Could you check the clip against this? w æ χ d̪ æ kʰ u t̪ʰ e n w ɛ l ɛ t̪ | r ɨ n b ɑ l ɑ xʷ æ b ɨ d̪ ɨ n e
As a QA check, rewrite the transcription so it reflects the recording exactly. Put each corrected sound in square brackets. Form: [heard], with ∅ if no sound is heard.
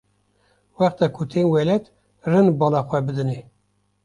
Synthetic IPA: w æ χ [t̪] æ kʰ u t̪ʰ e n w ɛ l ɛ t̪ | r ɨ n b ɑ l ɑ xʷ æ b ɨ d̪ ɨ n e